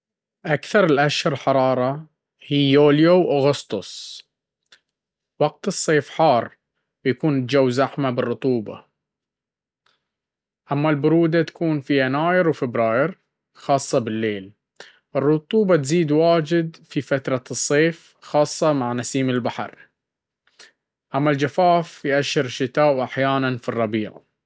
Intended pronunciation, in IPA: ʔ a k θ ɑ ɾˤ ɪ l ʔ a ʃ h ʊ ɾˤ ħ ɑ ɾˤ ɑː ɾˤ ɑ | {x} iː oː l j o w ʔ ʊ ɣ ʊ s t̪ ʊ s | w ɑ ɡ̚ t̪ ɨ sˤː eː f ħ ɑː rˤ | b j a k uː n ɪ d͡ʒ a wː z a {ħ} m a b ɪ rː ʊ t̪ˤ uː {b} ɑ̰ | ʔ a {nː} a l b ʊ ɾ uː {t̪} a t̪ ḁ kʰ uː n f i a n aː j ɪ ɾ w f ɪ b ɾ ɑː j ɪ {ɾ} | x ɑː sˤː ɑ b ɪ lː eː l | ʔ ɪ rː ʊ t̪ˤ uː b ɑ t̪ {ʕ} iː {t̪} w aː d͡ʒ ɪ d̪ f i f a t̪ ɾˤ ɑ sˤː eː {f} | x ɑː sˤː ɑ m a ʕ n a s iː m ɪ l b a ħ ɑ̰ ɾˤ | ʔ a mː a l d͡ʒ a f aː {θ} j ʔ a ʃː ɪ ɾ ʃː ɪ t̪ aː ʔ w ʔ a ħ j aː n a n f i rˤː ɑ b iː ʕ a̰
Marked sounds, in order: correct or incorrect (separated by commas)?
incorrect, correct, correct, incorrect, incorrect, correct, incorrect, incorrect, correct, incorrect